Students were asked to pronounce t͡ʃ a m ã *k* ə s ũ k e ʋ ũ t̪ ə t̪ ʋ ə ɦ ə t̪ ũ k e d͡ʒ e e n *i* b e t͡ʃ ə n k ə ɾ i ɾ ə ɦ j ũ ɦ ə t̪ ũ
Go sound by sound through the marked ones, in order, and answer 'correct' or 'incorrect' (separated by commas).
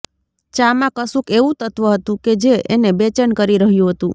correct, incorrect